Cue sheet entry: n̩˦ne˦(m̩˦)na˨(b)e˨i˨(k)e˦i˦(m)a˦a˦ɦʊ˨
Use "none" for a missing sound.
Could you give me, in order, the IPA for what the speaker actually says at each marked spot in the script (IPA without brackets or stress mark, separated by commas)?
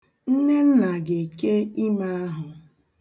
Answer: n̩˦, ɡ, k, m